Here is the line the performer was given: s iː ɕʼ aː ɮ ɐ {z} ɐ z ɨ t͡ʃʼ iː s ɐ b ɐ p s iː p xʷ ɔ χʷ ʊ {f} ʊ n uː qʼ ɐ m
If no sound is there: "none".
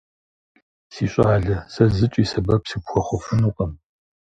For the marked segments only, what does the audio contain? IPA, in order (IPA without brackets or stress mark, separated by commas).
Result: s, f